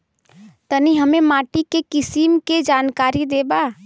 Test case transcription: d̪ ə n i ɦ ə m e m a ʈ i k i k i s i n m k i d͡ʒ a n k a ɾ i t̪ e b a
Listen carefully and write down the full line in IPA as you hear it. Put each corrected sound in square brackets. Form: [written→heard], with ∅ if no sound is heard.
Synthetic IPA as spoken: [d̪→t̪] ə n i ɦ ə m e m a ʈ i k [i→e] k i s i [n→∅] m k [i→e] d͡ʒ a n k a ɾ i [t̪→d̪] e b a